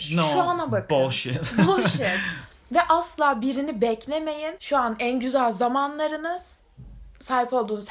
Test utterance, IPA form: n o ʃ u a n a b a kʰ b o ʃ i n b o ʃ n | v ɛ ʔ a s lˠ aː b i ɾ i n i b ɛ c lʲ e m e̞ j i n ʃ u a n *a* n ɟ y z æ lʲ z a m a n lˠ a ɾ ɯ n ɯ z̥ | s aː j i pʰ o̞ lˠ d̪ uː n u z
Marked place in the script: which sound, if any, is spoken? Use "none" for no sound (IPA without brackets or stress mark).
æ